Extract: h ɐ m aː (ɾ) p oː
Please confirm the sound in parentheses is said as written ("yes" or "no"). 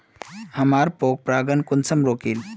yes